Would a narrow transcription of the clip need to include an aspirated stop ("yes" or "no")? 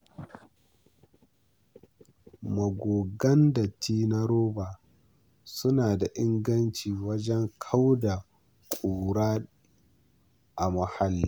yes